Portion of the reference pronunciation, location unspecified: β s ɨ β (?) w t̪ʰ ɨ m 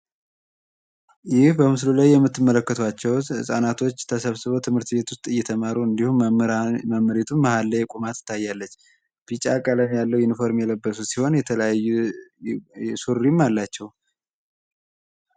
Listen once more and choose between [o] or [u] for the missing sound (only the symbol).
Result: o